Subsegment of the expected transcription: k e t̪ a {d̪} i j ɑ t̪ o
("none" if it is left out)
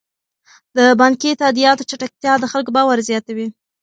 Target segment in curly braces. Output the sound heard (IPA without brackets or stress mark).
d̪